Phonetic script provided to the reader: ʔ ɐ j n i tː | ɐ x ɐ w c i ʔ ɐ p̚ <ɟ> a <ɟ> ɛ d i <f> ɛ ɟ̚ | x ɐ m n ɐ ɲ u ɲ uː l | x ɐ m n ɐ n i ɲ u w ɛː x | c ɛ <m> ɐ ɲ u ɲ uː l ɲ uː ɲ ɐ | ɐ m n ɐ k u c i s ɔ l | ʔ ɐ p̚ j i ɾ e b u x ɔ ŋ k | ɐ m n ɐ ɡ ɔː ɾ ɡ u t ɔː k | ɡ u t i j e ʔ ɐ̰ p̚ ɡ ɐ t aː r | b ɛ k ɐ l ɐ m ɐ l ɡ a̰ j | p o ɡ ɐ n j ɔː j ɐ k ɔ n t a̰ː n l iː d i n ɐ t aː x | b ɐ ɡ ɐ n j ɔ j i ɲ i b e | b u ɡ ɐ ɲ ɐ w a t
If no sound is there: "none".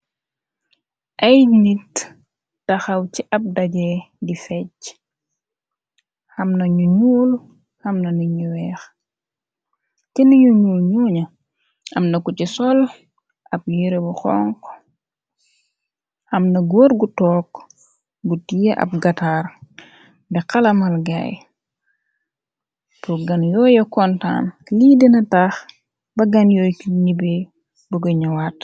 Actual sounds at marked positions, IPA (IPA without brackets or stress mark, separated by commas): d, ɟ, f, n